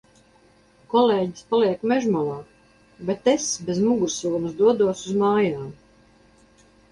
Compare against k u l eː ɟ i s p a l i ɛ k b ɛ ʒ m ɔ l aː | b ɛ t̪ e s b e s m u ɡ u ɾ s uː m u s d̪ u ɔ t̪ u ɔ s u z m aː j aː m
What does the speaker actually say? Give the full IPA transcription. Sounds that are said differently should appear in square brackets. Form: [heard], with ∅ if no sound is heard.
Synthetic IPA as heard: k [ɔ] l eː ɟ i s p a l i ɛ k [m] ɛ ʒ m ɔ l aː | b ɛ t̪ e s b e [z] m u ɡ u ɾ s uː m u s d̪ u ɔ [d̪] u ɔ s u z m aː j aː m